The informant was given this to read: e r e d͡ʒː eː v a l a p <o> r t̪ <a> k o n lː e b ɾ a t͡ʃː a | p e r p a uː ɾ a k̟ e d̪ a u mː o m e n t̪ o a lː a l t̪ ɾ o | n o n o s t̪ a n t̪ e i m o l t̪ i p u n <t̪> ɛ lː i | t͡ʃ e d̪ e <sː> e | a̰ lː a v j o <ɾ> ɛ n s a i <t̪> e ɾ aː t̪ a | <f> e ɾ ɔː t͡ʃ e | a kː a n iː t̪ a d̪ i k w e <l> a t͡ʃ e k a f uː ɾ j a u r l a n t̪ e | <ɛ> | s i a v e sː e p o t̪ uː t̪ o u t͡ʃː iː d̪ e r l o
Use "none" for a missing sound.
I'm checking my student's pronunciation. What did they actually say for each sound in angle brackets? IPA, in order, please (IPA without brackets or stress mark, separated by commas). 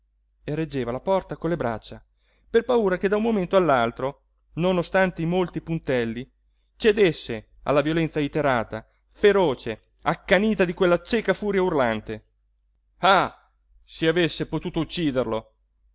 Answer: ɔ, a, t̪, sː, l, t̪, f, lː, a